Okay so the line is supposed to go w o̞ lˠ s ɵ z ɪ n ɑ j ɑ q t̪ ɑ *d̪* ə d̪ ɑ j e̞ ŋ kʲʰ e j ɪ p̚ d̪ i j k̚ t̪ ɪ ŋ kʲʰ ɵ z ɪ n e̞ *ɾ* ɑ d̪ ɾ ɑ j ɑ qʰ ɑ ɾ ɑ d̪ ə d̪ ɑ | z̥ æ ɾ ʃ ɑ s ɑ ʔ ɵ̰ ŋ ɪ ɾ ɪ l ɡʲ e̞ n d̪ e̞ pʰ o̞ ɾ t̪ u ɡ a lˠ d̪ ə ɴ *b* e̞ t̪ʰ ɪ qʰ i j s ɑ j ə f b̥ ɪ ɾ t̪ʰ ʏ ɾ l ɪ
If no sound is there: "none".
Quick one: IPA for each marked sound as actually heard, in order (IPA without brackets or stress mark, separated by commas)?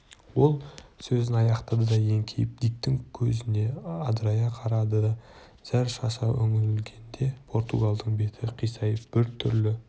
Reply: d̪, none, b